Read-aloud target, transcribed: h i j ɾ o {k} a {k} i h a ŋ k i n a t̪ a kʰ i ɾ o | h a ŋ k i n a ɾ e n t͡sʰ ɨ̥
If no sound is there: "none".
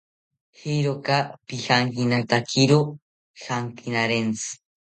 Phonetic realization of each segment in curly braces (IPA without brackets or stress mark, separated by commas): k, p